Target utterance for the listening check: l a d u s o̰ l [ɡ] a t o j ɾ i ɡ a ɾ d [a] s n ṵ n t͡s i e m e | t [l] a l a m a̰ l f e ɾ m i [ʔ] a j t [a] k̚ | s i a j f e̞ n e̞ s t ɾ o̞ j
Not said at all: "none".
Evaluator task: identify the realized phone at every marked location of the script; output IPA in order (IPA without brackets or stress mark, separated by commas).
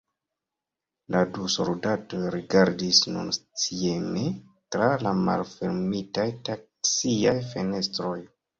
d, i, ɾ, t, a